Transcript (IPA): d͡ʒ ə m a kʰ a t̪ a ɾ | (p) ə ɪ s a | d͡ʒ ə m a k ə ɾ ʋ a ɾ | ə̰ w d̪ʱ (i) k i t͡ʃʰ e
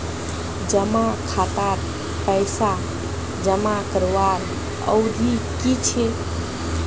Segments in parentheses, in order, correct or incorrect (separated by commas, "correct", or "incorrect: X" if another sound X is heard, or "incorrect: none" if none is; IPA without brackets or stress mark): correct, correct